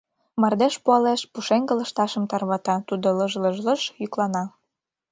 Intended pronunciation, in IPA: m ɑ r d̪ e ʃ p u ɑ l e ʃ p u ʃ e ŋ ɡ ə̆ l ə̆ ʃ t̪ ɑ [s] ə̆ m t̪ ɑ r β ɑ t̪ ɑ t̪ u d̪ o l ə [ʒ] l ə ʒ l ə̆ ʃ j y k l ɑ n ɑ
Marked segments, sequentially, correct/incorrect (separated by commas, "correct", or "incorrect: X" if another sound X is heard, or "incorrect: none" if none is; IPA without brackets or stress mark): incorrect: ʃ, correct